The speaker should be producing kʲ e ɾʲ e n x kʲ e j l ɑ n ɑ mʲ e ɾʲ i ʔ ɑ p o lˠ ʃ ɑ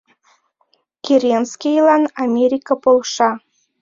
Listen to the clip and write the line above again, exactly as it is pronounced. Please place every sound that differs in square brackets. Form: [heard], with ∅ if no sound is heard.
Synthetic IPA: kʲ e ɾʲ e n [s] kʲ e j l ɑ n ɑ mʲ e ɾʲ i [k] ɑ p o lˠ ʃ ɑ

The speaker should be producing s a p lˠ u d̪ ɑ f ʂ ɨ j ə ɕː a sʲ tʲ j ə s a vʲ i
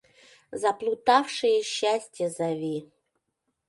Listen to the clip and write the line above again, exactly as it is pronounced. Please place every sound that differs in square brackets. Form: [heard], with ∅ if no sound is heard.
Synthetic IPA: [z] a p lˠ u [t̪] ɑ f ʂ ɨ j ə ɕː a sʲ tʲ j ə [z] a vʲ i

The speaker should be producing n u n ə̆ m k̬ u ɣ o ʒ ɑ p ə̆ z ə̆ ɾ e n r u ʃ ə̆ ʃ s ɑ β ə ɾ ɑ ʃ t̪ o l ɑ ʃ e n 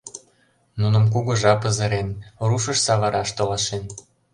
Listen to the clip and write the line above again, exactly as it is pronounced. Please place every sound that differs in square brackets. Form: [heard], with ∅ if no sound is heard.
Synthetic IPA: n u n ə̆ m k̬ u ɣ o ʒ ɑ p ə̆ z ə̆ ɾ e n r u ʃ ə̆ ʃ s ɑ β [ɑ] ɾ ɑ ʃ t̪ o l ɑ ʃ e n

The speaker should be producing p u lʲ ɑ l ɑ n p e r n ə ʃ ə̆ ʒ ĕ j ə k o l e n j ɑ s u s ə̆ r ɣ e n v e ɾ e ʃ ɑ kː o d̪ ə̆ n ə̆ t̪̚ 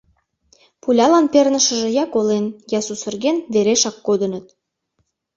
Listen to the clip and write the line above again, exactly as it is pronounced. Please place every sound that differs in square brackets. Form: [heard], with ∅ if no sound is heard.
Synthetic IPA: p u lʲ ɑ l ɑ n p e r n ə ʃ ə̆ ʒ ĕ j [ɑ] k o l e n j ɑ s u s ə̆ r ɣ e n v e ɾ e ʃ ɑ kː o d̪ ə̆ n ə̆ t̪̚

